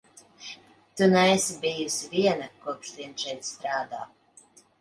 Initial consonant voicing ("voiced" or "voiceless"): voiceless